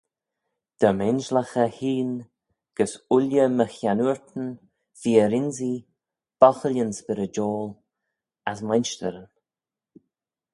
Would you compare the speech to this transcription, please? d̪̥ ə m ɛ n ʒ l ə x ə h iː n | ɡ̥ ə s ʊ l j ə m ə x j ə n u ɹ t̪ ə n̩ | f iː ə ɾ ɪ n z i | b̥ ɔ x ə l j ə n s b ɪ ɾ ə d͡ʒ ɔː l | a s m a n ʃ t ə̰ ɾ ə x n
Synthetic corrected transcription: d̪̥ ə m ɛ n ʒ l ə x ə h iː n | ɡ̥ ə s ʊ l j ə m ə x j a n u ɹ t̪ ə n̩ | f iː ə ɾ ɪ n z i | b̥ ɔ x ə l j ə n s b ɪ ɾ ə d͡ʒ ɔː l | a s m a n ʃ t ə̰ ɾ ə n